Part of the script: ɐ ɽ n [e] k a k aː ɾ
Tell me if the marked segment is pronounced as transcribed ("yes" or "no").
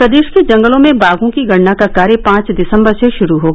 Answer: no